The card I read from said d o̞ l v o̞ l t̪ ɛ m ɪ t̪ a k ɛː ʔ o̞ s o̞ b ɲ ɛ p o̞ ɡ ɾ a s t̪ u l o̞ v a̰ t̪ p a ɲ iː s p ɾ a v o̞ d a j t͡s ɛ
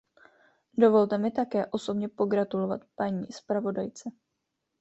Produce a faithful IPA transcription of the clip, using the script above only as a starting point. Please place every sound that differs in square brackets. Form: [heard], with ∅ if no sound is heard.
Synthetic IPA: d o̞ [∅] v o̞ l t̪ ɛ m ɪ t̪ a k ɛː ʔ o̞ s o̞ b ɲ ɛ p o̞ ɡ ɾ a [∅] t̪ u l o̞ v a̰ t̪ p a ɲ iː s p ɾ a v o̞ d a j t͡s ɛ